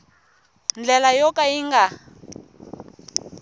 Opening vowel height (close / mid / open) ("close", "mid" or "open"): mid